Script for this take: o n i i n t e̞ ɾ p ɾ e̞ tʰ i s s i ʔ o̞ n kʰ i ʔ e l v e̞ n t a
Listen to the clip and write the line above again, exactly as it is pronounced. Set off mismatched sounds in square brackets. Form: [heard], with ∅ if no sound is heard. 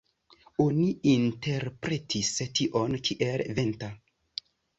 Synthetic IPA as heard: o n i i n t e̞ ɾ p ɾ e̞ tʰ i s [t] i ʔ o̞ n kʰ i ʔ e l v e̞ n t a